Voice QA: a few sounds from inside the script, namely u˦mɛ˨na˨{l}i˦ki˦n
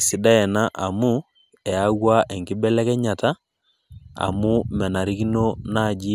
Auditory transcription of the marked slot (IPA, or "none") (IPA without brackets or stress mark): ɾ